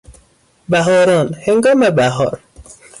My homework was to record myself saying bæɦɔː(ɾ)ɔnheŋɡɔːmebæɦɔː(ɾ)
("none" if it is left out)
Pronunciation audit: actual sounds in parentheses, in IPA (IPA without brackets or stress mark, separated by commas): ɾ, ɾ